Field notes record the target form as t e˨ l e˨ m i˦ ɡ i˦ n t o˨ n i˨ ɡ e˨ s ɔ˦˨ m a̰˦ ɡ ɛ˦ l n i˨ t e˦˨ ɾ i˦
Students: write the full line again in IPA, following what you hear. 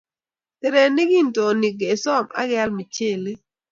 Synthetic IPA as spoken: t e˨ ɾ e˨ n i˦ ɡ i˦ n t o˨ n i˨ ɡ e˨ s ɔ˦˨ m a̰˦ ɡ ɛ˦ l m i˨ t͡ʃ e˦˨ l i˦